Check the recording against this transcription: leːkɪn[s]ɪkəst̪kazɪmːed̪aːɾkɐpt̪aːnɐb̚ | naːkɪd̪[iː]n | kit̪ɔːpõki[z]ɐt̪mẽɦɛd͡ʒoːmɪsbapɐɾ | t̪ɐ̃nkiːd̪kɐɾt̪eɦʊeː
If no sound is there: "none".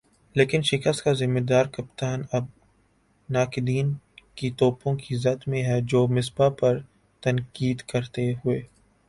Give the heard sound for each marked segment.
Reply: ʃ, iː, z

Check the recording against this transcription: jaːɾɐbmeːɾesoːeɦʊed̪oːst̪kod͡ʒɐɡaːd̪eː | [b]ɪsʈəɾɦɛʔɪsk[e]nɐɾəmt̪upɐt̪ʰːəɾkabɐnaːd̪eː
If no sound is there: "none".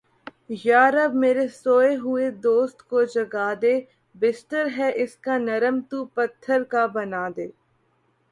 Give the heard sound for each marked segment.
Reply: b, a

